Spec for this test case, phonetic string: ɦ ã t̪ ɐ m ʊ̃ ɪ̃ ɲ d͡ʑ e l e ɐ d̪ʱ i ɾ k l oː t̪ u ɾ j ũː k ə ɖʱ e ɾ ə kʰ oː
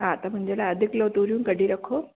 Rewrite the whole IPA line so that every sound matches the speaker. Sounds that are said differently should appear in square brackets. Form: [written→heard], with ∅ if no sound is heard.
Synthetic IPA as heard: ɦ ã t̪ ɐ m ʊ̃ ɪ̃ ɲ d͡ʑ e l [e→a] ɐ d̪ʱ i [ɾ→∅] k l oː t̪ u ɾ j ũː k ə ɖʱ [e→i] ɾ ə kʰ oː